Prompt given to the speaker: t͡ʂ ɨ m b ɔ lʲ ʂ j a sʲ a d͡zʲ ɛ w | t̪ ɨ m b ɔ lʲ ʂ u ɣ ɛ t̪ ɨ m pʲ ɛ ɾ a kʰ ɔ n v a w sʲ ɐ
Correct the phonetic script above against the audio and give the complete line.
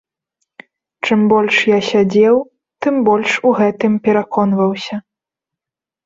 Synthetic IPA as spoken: t͡ʂ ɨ m b ɔ lʲ ʂ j a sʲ a d͡zʲ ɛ w | t̪ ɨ m b ɔ lʲ ʂ u ɣ ɛ t̪ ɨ m pʲ ɛ ɾ a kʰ ɔ n v ɐ w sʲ ɐ